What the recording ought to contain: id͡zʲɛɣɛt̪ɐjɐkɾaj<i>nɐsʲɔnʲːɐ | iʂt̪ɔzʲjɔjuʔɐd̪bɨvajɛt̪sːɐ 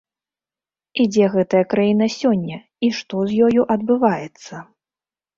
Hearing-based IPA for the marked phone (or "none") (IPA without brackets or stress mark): i